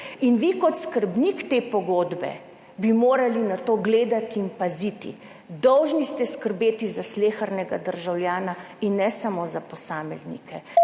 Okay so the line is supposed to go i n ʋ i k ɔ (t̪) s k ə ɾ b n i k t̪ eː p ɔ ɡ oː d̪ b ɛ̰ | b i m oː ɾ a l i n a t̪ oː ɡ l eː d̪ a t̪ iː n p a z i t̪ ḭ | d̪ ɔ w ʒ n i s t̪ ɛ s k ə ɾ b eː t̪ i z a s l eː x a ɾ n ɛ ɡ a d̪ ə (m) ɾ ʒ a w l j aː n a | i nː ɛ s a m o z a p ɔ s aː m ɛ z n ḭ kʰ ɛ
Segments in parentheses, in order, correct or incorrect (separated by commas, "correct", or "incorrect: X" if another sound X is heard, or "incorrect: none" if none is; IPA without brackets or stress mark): correct, incorrect: none